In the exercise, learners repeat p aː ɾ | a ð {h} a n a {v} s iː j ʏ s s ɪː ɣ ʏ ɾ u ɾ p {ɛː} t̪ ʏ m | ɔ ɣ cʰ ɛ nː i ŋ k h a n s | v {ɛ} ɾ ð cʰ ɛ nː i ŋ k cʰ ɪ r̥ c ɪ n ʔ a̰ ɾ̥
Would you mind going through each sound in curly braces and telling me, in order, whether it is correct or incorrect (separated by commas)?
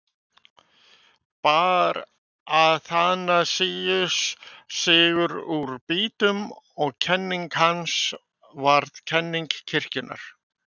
incorrect, incorrect, incorrect, incorrect